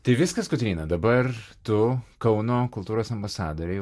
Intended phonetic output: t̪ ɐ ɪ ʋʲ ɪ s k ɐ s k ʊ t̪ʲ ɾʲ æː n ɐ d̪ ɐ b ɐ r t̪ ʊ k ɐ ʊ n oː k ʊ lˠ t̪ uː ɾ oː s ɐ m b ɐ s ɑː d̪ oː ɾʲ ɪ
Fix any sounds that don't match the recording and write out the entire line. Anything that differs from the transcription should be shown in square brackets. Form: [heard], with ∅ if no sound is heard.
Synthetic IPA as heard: t̪ ɐ ɪ ʋʲ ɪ s k ɐ s k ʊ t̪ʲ ɾʲ [iː] n ɐ d̪ ɐ b ɐ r t̪ ʊ k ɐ ʊ n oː k ʊ lˠ t̪ uː ɾ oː s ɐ m b ɐ s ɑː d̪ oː ɾʲ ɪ